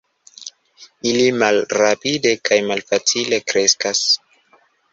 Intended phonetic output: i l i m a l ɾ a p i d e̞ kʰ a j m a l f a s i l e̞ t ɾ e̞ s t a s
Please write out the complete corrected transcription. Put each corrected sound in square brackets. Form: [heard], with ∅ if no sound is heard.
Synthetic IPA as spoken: i l i m a l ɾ a p i d e̞ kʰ a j m a l f a [t͡s] i l e̞ [k] ɾ e̞ s [k] a s